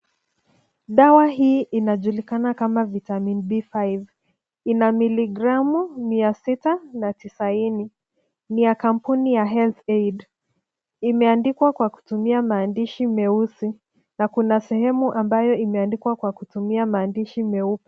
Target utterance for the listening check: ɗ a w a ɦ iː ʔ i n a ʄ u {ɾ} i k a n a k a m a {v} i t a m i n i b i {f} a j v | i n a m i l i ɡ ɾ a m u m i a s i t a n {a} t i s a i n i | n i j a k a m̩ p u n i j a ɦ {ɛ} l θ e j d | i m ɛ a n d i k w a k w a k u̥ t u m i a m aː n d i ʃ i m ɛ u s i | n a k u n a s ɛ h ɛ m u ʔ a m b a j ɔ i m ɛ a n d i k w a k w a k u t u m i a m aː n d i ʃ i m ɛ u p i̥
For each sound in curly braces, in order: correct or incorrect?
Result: incorrect: l, correct, correct, correct, correct

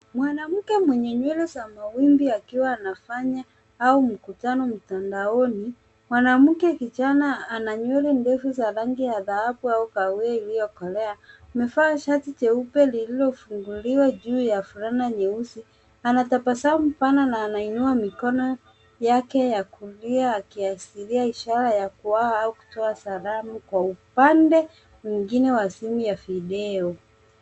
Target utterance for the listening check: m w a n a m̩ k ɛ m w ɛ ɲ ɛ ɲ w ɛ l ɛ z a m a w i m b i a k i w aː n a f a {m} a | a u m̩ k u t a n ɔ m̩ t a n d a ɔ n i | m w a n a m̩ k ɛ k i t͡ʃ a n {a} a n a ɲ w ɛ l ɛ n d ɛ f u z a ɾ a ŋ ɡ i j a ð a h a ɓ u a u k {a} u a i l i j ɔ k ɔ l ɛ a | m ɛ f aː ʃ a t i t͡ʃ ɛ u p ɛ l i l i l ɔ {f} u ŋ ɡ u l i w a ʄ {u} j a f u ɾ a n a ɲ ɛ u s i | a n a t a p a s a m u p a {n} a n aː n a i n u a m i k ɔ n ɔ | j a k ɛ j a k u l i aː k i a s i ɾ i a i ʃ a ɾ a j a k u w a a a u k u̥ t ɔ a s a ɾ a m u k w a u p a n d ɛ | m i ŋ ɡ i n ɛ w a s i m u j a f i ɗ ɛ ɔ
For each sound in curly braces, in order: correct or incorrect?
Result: incorrect: ɲ, correct, correct, correct, incorrect: uː, correct

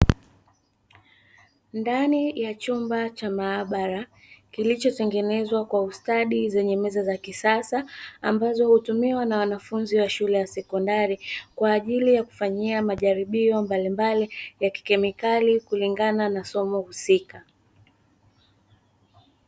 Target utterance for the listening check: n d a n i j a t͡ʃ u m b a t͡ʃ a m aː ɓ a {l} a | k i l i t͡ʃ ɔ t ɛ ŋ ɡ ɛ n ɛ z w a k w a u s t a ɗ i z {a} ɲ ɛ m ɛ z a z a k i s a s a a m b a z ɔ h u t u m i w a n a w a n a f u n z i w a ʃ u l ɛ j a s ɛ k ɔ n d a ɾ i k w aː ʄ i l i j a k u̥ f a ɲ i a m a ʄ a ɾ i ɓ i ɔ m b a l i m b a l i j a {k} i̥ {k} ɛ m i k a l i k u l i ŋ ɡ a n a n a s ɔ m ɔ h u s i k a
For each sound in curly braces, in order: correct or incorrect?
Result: incorrect: ɾ, incorrect: ɛ, correct, correct

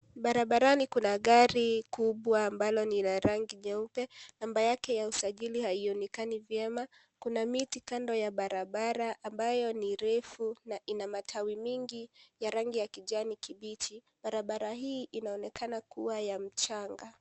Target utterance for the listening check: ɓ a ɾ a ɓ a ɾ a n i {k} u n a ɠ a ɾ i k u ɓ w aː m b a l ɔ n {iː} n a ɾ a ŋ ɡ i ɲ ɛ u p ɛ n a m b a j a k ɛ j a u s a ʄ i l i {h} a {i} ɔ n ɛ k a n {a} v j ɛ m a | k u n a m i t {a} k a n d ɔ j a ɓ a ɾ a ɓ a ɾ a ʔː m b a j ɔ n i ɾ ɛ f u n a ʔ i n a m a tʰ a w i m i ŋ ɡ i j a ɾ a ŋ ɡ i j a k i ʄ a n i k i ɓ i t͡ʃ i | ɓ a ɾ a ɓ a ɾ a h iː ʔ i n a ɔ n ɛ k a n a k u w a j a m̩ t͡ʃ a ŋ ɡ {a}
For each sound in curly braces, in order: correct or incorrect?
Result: correct, incorrect: i, correct, correct, incorrect: i, incorrect: i, correct

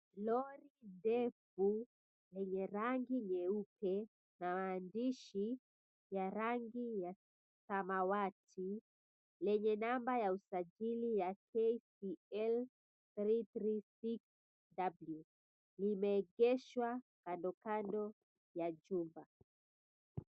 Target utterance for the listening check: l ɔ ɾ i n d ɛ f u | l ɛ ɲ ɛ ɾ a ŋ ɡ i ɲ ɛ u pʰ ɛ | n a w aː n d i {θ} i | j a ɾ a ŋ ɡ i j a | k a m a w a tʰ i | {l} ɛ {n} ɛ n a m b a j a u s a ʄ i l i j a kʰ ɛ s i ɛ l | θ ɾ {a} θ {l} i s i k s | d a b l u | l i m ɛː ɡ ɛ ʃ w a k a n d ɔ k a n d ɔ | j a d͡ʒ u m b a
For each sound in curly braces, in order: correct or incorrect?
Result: incorrect: ʃ, correct, incorrect: ɲ, incorrect: i, incorrect: ɾ

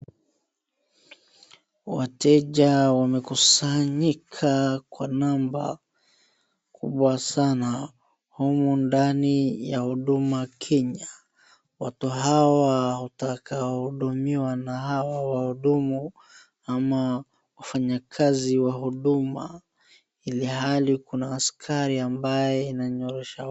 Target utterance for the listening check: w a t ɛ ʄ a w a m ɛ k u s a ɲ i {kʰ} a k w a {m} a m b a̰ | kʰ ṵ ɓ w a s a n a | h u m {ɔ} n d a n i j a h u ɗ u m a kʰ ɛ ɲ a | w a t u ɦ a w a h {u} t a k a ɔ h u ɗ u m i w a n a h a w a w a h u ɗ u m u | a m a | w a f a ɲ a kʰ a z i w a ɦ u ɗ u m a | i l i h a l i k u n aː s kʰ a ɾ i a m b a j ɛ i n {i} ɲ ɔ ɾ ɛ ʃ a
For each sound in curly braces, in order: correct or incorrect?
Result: correct, incorrect: n, incorrect: u, correct, incorrect: a

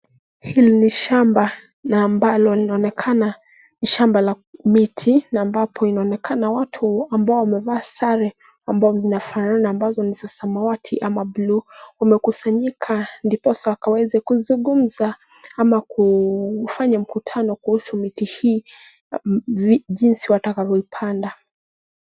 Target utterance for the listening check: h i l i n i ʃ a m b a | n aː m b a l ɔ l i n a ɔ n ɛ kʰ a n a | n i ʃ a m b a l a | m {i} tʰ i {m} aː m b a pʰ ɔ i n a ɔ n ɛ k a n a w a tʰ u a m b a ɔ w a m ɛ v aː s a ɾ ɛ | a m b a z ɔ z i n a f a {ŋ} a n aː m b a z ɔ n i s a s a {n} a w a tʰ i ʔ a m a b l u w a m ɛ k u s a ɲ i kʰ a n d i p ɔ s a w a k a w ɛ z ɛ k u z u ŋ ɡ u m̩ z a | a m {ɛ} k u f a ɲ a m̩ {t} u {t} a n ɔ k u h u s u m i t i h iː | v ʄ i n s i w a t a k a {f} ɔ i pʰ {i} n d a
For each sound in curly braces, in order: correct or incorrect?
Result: correct, incorrect: n, incorrect: n, incorrect: m, incorrect: a, incorrect: k, incorrect: tʰ, incorrect: v, incorrect: a

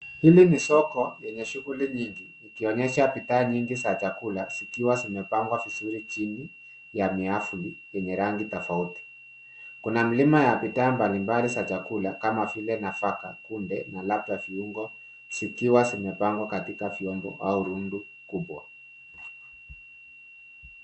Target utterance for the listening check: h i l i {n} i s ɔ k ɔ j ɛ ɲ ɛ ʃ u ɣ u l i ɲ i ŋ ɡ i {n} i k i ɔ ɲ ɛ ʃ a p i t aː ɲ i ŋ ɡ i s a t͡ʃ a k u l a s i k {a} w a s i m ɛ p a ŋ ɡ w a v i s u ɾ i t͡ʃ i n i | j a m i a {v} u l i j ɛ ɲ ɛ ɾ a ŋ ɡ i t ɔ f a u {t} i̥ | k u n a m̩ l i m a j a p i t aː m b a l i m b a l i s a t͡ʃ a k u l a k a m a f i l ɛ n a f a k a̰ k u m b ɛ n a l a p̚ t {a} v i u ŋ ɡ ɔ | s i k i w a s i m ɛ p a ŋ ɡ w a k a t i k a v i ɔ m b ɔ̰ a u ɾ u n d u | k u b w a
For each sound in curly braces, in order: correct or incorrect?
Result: incorrect: m, correct, incorrect: i, incorrect: f, correct, correct

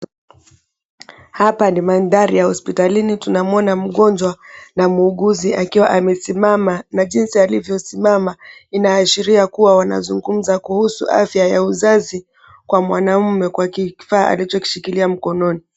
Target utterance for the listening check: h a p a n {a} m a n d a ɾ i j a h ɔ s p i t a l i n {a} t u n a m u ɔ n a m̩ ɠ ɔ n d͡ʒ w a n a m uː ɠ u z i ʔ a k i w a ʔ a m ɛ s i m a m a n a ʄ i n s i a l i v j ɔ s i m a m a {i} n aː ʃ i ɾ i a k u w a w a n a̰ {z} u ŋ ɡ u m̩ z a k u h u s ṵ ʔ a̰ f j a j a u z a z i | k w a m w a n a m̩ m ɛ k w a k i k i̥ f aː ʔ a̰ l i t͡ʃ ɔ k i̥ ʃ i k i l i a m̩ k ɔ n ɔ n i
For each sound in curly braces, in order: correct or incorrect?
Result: incorrect: i, incorrect: i, correct, correct

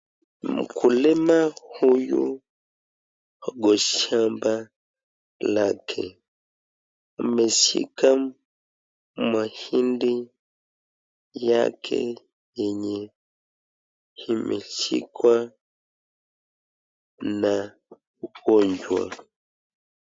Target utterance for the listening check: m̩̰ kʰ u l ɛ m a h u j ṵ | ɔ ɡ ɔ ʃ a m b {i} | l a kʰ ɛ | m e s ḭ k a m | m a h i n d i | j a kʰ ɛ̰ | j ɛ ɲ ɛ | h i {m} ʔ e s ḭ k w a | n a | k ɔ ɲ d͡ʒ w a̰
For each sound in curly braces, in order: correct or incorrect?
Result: incorrect: a, correct

